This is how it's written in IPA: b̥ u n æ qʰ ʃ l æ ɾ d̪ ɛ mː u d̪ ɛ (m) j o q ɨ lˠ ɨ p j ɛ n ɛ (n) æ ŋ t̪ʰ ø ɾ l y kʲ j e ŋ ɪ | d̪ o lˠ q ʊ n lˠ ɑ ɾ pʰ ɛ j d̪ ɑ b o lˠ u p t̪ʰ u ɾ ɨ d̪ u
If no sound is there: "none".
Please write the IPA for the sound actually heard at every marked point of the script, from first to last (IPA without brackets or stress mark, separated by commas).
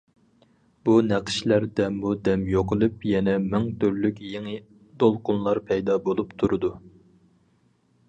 m, m